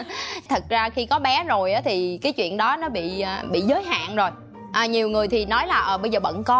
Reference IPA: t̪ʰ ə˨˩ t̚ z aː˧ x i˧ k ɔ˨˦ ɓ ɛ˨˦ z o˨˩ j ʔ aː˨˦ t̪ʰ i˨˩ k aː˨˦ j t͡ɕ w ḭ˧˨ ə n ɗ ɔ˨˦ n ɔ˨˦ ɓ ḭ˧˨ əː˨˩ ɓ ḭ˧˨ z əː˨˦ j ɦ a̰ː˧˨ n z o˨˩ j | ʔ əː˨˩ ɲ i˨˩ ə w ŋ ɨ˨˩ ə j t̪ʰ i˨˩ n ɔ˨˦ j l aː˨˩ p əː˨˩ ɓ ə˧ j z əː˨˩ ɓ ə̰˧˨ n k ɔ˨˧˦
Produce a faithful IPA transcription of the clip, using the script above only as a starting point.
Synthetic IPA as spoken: t̪ʰ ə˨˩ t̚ z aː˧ x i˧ k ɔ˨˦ ɓ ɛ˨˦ z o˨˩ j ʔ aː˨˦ t̪ʰ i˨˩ k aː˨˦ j t͡ɕ w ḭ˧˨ ə n ɗ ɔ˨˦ n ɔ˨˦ ɓ ḭ˧˨ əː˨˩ ɓ ḭ˧˨ z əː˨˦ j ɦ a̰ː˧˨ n z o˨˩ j | ʔ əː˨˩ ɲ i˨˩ ə w ŋ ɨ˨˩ ə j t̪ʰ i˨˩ n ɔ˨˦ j l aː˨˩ ʔ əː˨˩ ɓ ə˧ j z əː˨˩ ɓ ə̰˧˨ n k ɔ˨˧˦